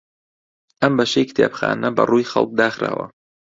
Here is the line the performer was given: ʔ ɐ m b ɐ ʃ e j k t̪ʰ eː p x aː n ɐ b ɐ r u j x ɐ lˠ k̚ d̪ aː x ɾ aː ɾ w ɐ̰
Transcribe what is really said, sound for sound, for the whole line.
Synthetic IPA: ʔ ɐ m b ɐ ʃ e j k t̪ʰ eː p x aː n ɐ b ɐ r u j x ɐ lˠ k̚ d̪ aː x ɾ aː w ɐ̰